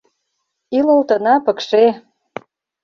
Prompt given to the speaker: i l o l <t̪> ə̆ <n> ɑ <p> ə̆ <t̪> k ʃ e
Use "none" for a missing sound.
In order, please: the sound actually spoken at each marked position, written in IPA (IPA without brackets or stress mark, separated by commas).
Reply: t̪, n, p, none